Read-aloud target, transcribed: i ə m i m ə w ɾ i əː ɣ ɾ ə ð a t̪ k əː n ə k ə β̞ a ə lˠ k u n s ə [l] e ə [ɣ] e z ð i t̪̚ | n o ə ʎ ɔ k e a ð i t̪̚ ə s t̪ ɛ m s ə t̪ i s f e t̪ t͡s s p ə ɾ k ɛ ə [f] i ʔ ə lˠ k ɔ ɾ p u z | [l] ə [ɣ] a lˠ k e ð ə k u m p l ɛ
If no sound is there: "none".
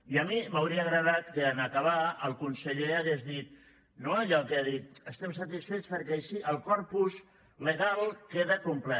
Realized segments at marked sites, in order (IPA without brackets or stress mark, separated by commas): ʎ, ɣ, ʃ, l, ɣ